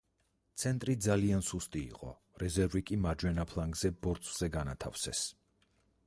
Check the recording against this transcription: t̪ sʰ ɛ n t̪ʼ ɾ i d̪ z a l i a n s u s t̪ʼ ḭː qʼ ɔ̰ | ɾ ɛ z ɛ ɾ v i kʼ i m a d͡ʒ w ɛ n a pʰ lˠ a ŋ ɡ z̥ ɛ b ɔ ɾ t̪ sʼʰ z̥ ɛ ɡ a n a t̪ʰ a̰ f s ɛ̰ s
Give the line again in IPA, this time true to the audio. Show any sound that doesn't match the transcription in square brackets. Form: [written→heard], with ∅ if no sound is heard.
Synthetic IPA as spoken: t̪ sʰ ɛ n t̪ʼ ɾ i d̪ z a l i a n s u s t̪ʼ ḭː qʼ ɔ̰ | ɾ ɛ z ɛ ɾ v i kʼ i m a d͡ʒ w ɛ n a pʰ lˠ a ŋ ɡ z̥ ɛ b ɔ ɾ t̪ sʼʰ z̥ ɛ ɡ a n a t̪ʰ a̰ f s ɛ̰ s